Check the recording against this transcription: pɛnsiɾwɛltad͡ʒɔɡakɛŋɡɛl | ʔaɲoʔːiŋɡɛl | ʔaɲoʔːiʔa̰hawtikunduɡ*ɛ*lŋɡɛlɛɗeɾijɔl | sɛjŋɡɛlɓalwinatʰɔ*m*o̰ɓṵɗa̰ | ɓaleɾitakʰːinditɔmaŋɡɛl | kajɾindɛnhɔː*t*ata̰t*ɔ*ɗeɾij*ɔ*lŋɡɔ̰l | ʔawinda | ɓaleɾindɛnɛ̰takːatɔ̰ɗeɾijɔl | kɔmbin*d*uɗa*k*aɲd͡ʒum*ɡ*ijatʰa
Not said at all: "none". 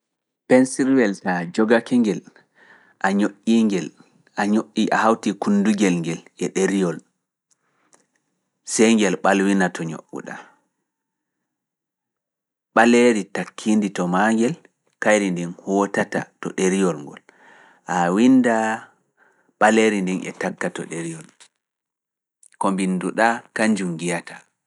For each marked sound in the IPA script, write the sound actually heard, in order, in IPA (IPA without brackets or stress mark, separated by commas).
ɛ, ɲ, t, ɔ, ɔ, d, k, ɡ